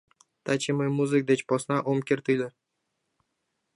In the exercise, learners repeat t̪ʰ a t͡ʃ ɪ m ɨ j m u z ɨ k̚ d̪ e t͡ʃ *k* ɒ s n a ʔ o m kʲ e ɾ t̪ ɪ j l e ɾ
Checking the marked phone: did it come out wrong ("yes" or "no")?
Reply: yes